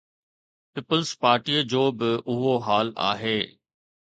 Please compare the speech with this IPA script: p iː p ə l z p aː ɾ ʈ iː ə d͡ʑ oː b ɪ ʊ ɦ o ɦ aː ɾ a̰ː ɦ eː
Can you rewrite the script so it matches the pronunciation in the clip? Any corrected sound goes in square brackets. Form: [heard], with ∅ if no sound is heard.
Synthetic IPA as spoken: p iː p ə l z p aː ɾ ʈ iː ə d͡ʑ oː b ɪ ʊ ɦ o ɦ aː [l] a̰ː ɦ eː